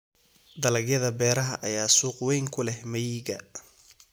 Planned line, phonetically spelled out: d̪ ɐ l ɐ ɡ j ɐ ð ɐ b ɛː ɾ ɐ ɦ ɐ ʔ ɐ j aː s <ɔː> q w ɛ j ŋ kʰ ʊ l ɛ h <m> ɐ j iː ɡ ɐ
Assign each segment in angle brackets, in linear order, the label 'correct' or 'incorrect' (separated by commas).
incorrect, correct